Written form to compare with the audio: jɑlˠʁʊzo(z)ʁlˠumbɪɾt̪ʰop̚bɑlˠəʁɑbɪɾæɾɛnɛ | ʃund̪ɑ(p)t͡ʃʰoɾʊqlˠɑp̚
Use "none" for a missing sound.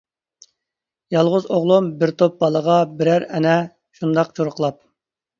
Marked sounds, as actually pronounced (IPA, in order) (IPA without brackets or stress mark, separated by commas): none, q